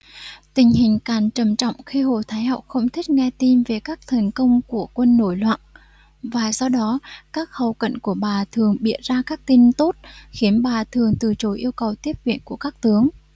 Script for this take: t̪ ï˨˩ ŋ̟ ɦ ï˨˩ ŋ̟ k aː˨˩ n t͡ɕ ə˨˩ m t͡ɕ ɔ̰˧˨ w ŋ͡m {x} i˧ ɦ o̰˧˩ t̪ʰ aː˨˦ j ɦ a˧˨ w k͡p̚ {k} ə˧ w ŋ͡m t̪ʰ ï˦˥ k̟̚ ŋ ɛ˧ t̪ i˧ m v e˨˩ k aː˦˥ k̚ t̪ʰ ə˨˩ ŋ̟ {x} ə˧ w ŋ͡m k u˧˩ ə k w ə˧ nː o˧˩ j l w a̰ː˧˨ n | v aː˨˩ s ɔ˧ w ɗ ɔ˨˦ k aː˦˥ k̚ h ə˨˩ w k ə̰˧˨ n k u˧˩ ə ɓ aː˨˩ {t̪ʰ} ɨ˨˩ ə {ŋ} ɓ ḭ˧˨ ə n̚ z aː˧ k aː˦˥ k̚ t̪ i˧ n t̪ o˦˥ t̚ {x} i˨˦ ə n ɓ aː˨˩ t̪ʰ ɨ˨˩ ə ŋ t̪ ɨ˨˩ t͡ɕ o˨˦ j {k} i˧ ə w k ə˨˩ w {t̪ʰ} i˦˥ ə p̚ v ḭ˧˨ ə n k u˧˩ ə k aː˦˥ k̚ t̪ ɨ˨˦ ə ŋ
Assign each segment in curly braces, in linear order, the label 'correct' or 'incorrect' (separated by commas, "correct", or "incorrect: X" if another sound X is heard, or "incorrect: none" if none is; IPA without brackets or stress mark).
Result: correct, incorrect: x, incorrect: k, correct, correct, correct, incorrect: ʔ, incorrect: t̪